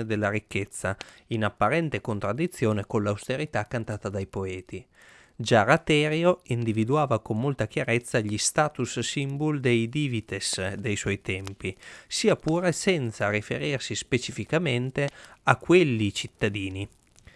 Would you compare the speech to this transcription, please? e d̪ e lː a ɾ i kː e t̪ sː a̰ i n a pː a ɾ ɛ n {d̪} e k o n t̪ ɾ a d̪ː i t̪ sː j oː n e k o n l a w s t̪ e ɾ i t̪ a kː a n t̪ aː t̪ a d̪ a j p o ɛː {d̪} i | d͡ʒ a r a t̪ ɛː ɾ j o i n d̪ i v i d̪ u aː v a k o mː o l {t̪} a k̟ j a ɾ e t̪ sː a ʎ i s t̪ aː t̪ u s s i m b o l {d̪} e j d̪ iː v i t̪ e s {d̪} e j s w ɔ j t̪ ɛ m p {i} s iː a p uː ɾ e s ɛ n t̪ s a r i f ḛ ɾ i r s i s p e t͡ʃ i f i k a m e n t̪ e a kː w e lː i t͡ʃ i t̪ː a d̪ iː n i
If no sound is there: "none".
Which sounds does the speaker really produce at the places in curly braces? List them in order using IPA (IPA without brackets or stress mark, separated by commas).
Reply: t̪, t̪, t̪, d̪, d̪, i